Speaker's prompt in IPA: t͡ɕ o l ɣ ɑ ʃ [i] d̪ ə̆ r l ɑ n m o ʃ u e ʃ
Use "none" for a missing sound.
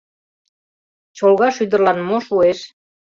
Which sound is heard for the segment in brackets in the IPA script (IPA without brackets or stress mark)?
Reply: y